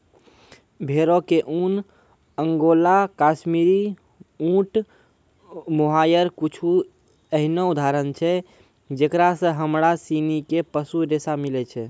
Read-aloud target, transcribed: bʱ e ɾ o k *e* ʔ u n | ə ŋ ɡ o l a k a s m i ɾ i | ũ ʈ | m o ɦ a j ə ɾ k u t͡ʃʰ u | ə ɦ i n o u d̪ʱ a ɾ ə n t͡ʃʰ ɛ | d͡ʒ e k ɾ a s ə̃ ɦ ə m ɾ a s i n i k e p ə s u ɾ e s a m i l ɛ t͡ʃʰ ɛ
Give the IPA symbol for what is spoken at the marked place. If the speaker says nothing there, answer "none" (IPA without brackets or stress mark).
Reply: e